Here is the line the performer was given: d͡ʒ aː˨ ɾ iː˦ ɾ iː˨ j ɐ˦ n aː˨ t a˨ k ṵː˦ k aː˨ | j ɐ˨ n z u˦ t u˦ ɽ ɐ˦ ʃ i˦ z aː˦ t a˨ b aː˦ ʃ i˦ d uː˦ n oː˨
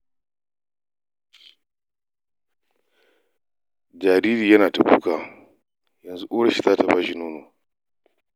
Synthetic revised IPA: d͡ʒ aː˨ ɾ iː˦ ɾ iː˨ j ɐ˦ n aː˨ t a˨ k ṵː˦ k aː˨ | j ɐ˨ n z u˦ ʔ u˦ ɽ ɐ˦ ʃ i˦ z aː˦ t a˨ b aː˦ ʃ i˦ n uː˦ n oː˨